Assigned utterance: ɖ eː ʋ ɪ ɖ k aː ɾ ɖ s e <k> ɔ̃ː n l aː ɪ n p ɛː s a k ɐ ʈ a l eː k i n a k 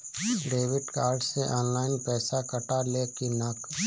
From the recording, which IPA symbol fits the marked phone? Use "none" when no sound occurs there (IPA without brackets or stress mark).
ʔ